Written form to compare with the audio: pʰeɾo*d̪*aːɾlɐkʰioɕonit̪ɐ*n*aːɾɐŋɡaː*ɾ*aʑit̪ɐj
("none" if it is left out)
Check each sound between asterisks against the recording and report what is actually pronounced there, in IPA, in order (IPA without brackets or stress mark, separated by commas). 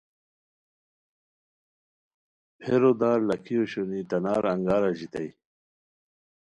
d̪, n, ɾ